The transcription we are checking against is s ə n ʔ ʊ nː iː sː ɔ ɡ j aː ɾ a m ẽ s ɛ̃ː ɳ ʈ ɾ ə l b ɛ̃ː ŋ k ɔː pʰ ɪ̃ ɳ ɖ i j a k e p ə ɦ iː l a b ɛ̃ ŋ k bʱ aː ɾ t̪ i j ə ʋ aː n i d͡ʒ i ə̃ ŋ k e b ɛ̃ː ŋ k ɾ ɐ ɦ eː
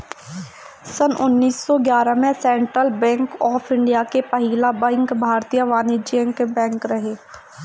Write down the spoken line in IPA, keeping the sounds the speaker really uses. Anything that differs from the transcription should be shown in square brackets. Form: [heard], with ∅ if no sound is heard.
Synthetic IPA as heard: s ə n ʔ ʊ nː iː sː ɔ ɡ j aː ɾ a m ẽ s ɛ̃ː ɳ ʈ ɾ ə l b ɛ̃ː ŋ k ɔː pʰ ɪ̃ ɳ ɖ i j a k e p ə ɦ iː l a b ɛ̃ ŋ k bʱ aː ɾ t̪ i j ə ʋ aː n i d͡ʒ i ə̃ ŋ k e b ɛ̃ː ŋ k ɾ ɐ ɦ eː